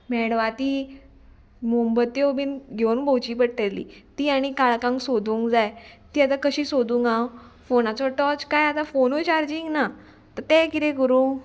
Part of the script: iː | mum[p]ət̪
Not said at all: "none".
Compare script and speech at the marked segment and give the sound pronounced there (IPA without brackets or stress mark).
b